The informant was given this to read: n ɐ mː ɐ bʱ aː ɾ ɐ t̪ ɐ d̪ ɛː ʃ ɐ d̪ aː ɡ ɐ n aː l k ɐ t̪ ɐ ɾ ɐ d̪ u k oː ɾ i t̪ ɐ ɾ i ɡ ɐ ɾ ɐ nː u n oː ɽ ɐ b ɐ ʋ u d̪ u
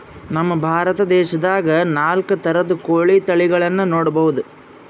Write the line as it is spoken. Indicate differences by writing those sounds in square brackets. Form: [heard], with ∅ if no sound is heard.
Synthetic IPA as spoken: n ɐ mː ɐ bʱ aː ɾ ɐ t̪ ɐ d̪ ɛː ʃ ɐ d̪ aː ɡ ɐ n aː l k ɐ t̪ ɐ ɾ ɐ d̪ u k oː [ɭ] i t̪ ɐ [ɭ] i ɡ ɐ [ɭ] ɐ nː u n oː ɽ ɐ b ɐ ʋ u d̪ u